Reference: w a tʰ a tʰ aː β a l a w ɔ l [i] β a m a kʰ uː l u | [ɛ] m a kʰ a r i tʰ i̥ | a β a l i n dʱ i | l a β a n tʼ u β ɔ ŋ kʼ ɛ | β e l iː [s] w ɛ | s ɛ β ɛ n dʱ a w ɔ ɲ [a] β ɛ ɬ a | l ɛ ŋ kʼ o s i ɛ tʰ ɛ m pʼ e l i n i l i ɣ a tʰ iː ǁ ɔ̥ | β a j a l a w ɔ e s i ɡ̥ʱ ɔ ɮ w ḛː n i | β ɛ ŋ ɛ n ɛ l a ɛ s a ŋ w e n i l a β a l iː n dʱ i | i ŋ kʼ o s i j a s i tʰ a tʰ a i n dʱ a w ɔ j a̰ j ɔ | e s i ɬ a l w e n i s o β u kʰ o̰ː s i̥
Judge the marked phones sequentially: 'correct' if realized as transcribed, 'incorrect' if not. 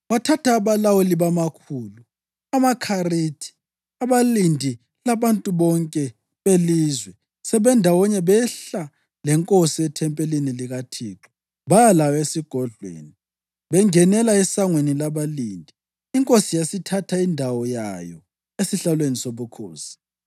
correct, incorrect: a, incorrect: z, incorrect: ɛ

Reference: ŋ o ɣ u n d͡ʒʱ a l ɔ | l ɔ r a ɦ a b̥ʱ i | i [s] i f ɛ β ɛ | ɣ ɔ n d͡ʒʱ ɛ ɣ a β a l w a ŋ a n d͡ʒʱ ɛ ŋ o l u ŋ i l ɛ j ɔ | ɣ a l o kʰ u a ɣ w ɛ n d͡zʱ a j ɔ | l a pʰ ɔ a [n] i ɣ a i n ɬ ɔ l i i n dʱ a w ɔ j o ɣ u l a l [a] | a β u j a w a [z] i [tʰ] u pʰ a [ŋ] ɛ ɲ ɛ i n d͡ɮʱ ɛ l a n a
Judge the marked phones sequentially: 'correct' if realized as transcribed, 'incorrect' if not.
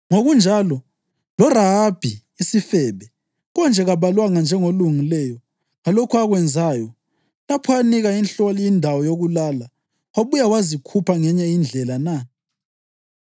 correct, correct, correct, correct, incorrect: kʰ, correct

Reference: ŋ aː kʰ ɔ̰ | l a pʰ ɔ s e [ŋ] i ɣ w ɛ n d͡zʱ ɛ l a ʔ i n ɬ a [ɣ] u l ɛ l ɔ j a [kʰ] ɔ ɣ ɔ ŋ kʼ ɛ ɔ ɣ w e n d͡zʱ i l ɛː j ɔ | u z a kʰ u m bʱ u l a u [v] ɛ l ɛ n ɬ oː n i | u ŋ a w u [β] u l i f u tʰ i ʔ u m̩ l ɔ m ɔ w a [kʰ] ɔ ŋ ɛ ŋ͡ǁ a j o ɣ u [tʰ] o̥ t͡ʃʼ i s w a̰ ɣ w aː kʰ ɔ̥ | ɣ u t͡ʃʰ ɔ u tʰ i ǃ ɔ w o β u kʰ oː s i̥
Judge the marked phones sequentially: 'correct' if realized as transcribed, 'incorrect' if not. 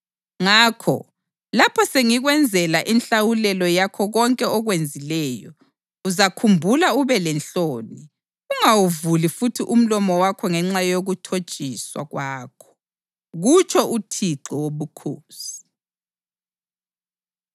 correct, incorrect: w, correct, incorrect: β, incorrect: v, correct, correct

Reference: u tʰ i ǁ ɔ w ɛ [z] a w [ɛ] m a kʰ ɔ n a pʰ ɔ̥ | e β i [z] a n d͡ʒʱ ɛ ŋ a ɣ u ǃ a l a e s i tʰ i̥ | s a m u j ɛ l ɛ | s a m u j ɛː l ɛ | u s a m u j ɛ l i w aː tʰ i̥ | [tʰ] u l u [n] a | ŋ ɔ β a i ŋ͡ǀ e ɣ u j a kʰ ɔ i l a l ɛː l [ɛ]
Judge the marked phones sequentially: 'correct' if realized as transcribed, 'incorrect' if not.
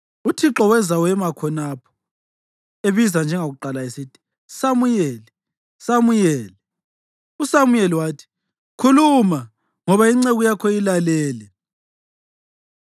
correct, correct, correct, incorrect: kʰ, incorrect: m, correct

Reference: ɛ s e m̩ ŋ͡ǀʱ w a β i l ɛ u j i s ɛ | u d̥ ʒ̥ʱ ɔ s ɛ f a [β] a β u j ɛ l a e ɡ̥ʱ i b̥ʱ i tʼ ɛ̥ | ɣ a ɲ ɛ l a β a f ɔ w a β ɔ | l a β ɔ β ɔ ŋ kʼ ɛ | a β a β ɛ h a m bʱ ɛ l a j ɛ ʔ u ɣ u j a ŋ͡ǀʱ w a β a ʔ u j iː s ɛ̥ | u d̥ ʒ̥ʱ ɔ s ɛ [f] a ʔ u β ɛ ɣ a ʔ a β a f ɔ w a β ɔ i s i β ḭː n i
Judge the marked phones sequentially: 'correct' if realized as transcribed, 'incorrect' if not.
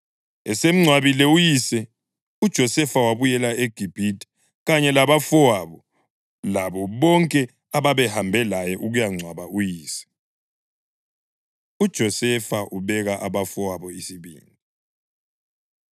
incorrect: w, correct

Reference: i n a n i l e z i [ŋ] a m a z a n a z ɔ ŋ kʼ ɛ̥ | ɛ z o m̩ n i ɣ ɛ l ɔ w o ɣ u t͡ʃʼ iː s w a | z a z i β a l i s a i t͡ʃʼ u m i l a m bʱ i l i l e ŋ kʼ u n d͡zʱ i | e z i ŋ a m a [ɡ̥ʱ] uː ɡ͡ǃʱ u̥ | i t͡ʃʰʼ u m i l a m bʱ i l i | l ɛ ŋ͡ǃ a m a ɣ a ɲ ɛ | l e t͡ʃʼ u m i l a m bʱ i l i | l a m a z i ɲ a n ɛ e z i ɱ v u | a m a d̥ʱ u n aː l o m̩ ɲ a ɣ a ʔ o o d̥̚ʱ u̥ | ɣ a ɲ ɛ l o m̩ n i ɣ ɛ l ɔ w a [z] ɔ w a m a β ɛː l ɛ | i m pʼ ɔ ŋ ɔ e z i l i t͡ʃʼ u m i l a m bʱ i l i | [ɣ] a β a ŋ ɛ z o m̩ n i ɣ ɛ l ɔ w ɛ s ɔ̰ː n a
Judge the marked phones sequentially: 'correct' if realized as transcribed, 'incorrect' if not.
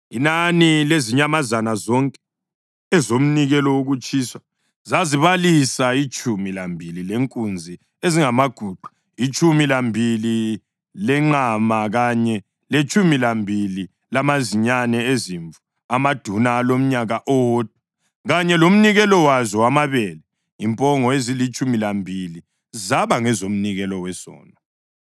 incorrect: ɲ, correct, correct, incorrect: z

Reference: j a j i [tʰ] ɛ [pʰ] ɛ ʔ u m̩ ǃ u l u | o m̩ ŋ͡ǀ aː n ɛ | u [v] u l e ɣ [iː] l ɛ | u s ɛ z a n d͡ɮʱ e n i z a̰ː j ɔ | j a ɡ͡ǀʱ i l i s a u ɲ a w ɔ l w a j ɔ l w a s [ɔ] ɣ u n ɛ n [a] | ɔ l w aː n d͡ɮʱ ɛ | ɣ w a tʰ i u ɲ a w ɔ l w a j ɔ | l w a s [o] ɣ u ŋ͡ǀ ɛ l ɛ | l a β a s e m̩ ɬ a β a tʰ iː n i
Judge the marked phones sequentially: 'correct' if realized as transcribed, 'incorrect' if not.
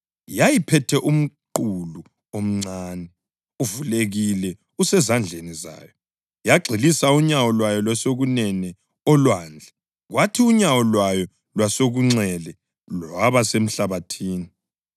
incorrect: pʰ, incorrect: tʰ, correct, incorrect: i, incorrect: o, incorrect: ɛ, correct

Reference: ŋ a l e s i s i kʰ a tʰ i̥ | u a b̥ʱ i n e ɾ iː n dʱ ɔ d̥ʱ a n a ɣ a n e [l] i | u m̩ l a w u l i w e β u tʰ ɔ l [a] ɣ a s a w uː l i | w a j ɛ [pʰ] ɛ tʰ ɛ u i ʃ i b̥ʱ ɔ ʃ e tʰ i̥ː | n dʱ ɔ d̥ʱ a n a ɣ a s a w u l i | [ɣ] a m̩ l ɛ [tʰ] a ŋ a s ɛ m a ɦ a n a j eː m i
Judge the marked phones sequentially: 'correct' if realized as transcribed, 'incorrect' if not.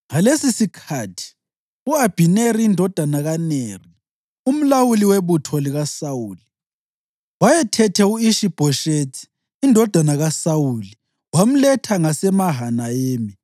incorrect: r, incorrect: i, incorrect: tʰ, incorrect: w, correct

